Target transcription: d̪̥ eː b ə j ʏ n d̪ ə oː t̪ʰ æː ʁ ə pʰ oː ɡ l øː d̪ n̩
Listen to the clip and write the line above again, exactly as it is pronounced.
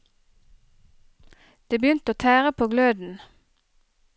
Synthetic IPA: d̪̥ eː b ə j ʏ n t̪ ə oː t̪ʰ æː ʁ ə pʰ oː ɡ l øː d̪ n̩